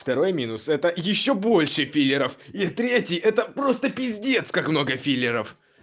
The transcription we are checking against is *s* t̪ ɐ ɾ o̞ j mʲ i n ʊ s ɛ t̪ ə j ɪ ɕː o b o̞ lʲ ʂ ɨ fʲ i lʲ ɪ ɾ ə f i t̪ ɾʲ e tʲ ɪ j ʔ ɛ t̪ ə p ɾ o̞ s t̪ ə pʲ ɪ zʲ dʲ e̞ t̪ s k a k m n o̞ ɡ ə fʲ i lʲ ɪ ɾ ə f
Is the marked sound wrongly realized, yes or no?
yes